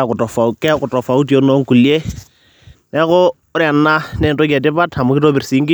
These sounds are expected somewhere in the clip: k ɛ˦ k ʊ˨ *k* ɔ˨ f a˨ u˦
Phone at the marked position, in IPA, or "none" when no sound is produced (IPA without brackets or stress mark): t